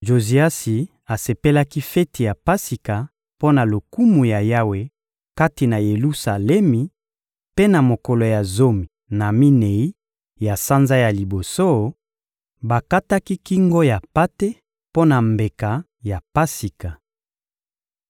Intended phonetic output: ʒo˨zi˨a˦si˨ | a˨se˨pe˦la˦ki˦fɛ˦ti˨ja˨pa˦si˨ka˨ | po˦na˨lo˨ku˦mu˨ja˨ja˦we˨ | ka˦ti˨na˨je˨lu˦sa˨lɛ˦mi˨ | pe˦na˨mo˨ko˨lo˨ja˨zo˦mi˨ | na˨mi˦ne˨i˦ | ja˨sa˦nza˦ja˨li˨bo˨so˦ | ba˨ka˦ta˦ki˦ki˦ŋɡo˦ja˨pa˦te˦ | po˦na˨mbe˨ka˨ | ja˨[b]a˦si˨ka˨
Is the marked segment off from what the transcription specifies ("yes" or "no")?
yes